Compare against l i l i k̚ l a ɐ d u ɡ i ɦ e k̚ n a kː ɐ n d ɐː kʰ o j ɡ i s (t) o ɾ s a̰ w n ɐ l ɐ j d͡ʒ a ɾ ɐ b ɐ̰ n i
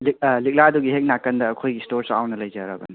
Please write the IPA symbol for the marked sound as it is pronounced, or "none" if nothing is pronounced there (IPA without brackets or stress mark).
t